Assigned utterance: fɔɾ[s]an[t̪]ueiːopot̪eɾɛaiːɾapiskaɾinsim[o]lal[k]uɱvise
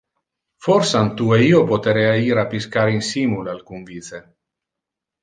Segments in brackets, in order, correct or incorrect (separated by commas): correct, correct, incorrect, correct